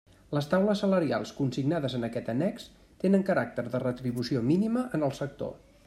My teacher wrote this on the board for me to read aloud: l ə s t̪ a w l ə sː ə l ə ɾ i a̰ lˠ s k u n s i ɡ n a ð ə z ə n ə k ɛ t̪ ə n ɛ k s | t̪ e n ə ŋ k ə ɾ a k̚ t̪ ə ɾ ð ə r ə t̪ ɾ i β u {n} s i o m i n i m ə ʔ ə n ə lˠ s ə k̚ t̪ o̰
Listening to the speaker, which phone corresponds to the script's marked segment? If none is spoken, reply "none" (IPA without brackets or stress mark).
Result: none